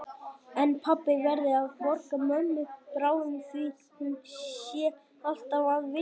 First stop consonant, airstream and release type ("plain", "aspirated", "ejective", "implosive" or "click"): aspirated